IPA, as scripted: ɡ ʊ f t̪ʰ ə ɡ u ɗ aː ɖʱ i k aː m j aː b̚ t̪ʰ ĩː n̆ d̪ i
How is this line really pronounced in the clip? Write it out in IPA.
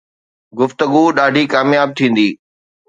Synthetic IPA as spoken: ɡ ʊ f t̪ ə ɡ u ɗ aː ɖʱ i k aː m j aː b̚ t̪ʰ ĩː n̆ d̪ iː